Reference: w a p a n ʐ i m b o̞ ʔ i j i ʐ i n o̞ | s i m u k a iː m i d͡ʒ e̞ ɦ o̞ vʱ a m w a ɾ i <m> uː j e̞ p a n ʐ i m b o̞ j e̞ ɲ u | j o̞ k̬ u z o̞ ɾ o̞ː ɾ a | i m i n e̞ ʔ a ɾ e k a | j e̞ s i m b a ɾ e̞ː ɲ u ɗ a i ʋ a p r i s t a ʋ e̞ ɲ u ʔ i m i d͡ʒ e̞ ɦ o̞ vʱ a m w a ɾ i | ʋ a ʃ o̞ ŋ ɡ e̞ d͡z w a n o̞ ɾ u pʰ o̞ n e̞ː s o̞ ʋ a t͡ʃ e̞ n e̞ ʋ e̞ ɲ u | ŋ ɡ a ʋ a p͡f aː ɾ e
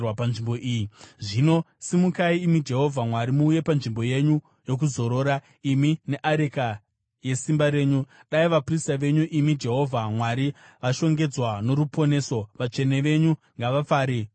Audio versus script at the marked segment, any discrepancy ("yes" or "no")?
no